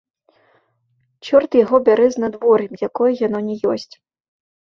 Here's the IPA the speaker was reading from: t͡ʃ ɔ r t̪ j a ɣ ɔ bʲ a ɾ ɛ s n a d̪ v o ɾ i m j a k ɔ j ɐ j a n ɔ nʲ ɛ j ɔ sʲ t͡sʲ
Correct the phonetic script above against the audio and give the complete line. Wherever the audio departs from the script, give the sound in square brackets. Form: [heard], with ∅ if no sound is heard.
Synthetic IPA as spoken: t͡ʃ ɔ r t̪ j a ɣ ɔ bʲ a ɾ ɛ [z] n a d̪ v [ɔ] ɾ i m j a k ɔ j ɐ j a n ɔ nʲ ɛ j ɔ sʲ t͡sʲ